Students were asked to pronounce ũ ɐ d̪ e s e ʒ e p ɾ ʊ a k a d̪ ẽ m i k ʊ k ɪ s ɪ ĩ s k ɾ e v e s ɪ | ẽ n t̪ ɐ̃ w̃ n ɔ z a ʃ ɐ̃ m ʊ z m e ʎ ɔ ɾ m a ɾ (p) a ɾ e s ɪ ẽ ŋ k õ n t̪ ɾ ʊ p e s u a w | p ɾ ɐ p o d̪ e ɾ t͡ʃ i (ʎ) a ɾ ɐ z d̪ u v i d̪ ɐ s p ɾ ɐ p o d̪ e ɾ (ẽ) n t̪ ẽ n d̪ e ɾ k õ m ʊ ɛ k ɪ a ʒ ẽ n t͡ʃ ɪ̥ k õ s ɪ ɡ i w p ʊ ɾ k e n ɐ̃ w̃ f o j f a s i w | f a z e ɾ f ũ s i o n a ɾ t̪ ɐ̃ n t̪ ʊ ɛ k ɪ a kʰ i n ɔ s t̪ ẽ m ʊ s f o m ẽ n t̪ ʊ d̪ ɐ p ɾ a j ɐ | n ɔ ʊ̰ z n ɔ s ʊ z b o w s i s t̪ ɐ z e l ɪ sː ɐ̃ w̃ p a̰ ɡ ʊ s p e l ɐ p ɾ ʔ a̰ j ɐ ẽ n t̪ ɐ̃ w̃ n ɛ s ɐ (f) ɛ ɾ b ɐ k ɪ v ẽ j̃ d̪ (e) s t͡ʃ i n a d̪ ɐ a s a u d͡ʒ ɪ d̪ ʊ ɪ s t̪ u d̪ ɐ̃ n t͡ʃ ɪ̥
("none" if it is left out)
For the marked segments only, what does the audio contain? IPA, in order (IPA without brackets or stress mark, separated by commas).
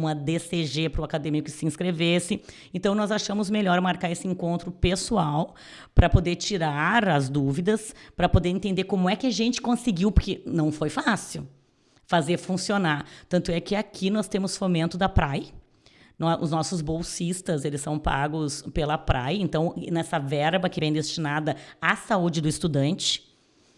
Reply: k, ɾ, ẽ, v, e